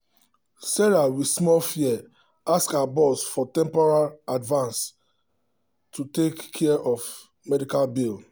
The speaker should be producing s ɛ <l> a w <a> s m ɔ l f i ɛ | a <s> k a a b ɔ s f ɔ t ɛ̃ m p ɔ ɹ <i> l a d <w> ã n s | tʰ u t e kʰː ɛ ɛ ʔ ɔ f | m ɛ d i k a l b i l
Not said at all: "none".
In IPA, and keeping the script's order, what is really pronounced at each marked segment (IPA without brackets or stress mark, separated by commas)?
ɹ, i, s, a, v